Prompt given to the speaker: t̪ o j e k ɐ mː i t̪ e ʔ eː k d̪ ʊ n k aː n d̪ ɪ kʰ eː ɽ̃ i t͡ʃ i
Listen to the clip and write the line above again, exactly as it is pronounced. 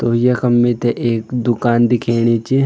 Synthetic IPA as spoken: t̪ o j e k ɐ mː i t̪ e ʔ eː k d̪ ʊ k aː n d̪ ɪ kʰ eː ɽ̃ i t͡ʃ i